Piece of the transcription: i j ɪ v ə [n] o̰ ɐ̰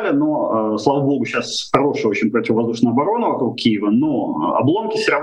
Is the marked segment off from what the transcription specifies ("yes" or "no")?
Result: no